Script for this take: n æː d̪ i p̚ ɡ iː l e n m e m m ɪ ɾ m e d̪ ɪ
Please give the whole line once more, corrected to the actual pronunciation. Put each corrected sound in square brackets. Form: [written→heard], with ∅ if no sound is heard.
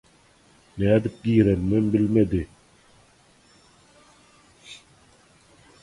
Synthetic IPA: n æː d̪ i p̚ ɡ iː [l→ɾ] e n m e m [m→b] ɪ [ɾ→l] m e d̪ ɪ